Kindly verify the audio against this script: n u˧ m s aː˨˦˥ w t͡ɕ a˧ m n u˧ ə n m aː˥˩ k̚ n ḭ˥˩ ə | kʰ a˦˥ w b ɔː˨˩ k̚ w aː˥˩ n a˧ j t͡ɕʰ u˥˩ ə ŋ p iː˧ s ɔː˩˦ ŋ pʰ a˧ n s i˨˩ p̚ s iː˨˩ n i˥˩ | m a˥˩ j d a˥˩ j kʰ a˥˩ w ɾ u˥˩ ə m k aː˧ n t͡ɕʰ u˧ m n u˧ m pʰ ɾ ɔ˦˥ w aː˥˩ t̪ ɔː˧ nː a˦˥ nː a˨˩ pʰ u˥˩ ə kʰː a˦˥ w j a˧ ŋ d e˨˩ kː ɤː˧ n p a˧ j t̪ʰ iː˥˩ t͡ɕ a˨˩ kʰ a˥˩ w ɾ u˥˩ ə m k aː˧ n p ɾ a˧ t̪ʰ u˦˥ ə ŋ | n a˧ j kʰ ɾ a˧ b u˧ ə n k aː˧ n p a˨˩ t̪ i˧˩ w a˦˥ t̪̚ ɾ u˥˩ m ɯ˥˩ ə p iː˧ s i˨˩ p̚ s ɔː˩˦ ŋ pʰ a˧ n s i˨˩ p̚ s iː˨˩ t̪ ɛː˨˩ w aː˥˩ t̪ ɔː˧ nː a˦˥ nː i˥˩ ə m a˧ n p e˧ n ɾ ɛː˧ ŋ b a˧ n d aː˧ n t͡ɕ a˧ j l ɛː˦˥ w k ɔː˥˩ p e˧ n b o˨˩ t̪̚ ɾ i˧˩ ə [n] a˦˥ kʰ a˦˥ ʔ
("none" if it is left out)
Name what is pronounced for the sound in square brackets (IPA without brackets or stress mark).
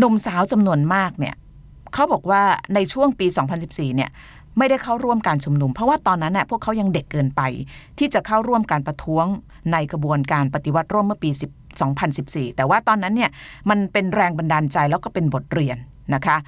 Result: nː